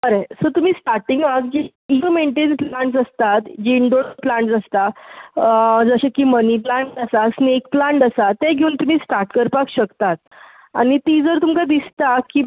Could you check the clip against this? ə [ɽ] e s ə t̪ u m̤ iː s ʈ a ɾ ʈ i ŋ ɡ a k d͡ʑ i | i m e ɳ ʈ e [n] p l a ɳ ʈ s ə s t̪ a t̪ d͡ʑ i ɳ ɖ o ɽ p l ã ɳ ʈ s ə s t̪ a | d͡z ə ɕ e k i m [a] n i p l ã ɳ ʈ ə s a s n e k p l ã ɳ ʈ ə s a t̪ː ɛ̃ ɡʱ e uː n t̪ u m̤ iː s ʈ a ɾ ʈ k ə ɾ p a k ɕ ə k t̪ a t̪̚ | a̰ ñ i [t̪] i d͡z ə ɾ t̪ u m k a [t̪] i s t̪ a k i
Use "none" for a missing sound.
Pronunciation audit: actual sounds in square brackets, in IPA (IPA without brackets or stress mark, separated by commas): ɾ, n, ə, t̪, d̪